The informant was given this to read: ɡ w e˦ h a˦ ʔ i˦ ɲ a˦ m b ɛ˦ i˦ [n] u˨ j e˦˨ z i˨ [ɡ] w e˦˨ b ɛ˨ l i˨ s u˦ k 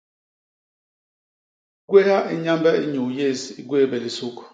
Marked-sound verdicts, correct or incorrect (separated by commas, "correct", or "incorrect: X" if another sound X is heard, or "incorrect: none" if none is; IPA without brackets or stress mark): incorrect: ɲ, correct